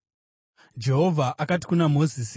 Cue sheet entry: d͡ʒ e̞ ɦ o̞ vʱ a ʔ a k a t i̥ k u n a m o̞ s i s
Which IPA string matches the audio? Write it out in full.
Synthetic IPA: d͡ʒ e̞ ɦ o̞ vʱ a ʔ a k a t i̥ k u n a m o̞ z i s